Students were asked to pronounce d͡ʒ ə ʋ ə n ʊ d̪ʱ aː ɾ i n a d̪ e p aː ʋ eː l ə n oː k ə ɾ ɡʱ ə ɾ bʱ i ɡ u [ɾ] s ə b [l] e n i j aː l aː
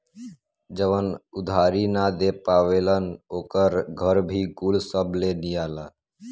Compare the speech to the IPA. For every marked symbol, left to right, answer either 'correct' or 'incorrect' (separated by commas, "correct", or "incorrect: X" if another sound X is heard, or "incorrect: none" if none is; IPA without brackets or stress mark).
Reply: incorrect: l, correct